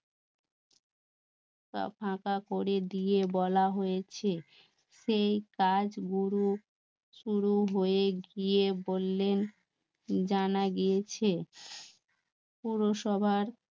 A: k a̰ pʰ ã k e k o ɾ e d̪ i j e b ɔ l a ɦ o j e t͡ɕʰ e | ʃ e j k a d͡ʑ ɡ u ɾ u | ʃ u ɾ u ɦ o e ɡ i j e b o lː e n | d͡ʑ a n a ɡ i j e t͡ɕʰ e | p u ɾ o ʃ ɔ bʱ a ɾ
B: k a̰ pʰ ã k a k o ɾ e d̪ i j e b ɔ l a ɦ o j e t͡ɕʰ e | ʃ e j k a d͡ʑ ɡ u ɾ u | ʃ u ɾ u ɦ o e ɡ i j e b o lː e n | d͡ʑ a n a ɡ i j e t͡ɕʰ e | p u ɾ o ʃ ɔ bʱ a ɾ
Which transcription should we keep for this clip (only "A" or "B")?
B